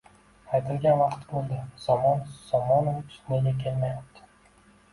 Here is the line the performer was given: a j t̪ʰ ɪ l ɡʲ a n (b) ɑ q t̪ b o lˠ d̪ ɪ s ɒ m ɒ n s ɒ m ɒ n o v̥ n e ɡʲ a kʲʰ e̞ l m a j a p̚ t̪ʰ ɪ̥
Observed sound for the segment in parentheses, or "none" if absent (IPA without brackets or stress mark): v